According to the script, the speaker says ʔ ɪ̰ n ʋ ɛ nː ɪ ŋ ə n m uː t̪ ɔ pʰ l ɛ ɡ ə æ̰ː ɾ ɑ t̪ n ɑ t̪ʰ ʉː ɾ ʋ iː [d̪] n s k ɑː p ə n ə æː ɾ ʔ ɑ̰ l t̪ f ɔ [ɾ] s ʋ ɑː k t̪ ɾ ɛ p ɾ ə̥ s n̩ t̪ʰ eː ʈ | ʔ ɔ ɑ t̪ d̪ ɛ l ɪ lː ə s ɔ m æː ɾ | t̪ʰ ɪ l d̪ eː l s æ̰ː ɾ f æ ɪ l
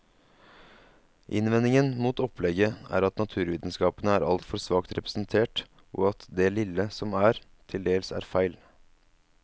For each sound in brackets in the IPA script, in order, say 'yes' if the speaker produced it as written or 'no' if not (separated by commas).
yes, yes